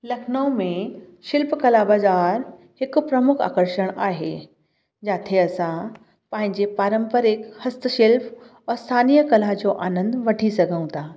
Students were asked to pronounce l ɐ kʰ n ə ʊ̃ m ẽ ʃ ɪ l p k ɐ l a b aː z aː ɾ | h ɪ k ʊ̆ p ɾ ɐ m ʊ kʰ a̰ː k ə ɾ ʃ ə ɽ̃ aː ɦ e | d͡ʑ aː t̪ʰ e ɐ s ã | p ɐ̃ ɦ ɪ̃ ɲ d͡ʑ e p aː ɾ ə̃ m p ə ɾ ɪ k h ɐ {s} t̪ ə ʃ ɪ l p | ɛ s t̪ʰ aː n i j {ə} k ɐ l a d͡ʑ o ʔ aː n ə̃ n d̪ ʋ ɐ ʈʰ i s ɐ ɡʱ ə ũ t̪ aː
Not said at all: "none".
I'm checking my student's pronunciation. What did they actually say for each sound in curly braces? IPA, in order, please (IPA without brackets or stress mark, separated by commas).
s, ə